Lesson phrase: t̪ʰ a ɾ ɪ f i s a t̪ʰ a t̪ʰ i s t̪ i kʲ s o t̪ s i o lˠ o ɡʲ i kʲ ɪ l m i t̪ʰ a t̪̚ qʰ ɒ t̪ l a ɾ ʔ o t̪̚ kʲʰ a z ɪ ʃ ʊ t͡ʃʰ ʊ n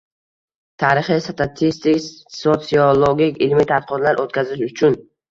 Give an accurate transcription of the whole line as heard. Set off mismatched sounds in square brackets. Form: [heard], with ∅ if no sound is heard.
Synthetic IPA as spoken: t̪ʰ a ɾ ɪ [χ] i s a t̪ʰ a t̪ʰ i s t̪ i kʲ s o t̪ s i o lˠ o ɡʲ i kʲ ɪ l m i t̪ʰ a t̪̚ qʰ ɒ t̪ l a ɾ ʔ o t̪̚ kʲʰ a z ɪ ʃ ʊ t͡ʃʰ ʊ n